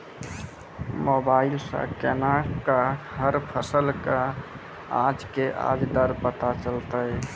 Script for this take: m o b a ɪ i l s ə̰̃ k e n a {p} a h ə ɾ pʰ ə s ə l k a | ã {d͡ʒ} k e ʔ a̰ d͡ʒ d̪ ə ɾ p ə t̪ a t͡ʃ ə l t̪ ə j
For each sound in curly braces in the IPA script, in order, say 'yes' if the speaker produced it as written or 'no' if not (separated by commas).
no, yes